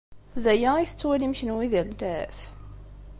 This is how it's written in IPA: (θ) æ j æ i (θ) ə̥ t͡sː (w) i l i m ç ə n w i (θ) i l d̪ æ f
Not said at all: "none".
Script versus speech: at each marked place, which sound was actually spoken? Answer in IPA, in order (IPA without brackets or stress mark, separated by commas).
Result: ð, θ, w, ð